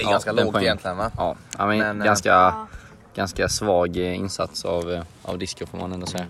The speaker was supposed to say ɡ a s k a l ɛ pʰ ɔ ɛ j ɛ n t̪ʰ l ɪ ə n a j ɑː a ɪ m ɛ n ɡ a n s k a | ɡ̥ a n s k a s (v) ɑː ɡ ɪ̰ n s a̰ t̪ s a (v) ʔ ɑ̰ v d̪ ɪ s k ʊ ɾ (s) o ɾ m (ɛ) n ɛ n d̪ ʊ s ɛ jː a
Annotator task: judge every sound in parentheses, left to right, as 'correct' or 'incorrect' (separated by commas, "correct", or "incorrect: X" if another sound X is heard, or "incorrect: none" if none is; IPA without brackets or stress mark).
correct, correct, incorrect: f, incorrect: a